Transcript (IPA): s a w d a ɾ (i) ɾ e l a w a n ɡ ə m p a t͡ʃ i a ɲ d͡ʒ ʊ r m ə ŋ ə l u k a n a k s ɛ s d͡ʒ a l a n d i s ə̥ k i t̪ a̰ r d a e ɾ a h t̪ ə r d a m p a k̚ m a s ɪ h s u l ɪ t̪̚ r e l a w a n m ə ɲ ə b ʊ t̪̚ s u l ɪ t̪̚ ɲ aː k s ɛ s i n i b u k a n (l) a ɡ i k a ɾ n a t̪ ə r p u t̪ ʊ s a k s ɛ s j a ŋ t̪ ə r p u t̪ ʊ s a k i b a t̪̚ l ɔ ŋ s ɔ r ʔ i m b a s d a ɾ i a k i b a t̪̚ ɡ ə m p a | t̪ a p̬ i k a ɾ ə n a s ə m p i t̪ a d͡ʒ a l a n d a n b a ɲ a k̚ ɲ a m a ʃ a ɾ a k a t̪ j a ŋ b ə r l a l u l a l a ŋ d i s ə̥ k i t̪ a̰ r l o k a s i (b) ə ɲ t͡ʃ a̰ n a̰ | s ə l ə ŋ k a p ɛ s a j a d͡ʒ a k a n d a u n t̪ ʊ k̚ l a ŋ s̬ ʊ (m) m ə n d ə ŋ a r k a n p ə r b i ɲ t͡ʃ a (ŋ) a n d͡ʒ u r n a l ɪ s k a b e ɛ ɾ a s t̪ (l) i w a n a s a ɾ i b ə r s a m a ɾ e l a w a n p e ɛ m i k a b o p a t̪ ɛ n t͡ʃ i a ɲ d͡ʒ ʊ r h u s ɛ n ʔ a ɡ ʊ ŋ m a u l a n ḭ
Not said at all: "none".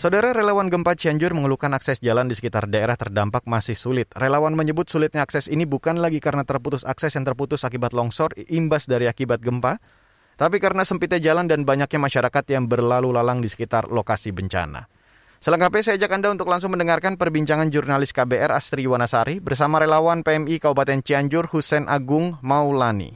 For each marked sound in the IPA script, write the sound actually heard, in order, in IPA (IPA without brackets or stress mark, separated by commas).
a, l, b, ŋ, ŋ, ɾ